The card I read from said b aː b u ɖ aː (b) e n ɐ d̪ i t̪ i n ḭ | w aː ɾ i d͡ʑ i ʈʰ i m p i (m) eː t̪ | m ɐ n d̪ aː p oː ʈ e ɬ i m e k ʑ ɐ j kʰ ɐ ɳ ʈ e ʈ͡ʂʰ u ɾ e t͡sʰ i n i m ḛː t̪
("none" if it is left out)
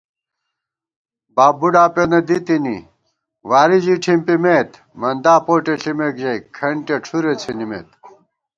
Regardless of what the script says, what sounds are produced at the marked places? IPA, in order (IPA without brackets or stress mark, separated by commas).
p, m